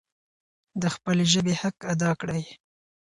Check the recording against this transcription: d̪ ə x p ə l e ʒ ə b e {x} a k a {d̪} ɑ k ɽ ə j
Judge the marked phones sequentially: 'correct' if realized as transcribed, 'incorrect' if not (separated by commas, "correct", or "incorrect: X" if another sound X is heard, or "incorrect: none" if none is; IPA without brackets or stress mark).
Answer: incorrect: h, correct